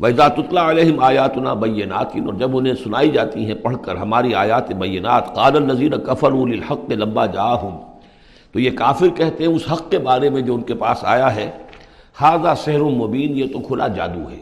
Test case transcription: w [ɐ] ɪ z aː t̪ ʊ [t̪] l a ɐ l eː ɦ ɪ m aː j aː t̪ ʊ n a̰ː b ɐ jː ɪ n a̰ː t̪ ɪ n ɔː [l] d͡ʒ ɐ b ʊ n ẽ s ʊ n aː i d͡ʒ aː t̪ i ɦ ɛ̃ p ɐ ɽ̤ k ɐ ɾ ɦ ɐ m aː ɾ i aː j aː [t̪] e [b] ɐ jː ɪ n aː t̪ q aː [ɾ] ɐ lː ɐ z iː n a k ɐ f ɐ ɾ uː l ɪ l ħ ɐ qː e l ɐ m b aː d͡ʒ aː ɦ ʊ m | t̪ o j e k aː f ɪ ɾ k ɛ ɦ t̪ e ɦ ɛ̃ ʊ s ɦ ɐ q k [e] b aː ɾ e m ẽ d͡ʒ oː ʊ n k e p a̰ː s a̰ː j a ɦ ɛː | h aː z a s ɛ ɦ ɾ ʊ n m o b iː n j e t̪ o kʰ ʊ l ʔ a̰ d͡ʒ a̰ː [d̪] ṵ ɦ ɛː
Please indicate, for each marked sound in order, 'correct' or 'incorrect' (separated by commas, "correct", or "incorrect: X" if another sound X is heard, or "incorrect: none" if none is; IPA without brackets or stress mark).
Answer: correct, correct, incorrect: ɾ, correct, correct, incorrect: l, correct, correct